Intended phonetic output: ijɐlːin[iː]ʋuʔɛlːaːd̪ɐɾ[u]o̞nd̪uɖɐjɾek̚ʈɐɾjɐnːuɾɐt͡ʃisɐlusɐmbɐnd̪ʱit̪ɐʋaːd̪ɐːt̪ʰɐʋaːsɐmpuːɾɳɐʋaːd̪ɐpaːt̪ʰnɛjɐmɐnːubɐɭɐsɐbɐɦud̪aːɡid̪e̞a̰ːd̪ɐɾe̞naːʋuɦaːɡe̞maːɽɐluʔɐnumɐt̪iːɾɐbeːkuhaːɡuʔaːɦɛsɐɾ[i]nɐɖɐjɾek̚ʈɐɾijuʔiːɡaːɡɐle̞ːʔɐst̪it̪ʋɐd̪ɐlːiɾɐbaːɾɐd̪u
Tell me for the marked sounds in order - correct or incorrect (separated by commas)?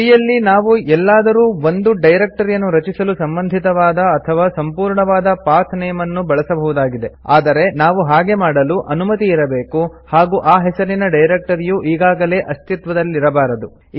incorrect, incorrect, correct